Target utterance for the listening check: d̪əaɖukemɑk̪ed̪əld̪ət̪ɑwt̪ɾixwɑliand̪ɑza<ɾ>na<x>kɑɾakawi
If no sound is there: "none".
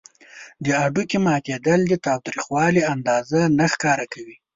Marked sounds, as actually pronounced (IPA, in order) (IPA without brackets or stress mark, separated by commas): none, x